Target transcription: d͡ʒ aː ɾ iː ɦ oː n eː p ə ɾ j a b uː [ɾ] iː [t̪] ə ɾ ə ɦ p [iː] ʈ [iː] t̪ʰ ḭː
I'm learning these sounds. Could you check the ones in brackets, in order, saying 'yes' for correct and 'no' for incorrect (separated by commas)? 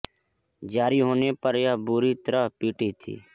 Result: yes, yes, yes, yes